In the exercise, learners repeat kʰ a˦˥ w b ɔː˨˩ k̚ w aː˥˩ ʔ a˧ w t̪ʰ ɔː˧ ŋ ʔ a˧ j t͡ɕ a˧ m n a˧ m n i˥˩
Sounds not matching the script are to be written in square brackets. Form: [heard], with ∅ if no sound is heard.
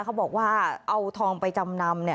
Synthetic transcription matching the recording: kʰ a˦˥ w b ɔː˨˩ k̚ w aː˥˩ ʔ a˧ w t̪ʰ ɔː˧ ŋ [p] a˧ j t͡ɕ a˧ m n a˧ m n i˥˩